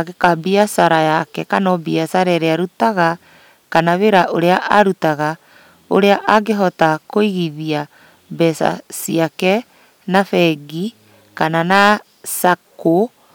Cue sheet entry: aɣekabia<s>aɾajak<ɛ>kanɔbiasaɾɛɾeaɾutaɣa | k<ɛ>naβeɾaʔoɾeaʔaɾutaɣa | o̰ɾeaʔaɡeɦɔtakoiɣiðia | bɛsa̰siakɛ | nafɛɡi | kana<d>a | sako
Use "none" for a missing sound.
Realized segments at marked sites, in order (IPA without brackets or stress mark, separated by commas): s, ɛ, a, n